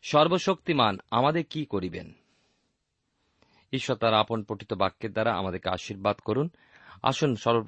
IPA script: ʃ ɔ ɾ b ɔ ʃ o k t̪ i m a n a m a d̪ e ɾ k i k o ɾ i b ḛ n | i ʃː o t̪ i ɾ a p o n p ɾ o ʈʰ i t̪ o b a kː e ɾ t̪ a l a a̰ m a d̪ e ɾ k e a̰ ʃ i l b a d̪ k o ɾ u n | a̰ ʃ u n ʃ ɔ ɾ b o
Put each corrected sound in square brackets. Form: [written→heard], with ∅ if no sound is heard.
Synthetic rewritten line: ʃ ɔ ɾ b [ɔ→o] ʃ o k t̪ i m a n a m a d̪ e ɾ k i k o ɾ i b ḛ n | i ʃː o t̪ [i→a] ɾ a p o n p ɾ o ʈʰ i t̪ o b a kː e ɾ [t̪→d̪] a [l→ɾ] a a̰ m a d̪ e ɾ k e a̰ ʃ i [l→ɾ] b a d̪ k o ɾ u n | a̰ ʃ u n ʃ ɔ ɾ b o